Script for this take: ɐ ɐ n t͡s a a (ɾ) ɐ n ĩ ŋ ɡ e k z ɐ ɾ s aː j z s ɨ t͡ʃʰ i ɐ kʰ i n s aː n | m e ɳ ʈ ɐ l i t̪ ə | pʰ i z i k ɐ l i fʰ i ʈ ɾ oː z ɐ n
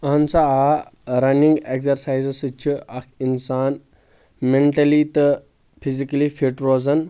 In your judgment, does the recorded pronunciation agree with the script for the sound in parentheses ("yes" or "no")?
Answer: yes